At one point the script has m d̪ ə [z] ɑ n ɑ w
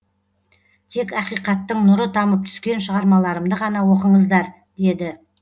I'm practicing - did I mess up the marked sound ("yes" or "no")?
yes